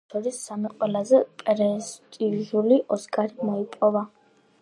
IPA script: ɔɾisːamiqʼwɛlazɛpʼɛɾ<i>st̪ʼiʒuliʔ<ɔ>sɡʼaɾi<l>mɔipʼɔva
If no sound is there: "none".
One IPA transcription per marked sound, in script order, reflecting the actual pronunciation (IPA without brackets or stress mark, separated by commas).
ɛ, ɔ, none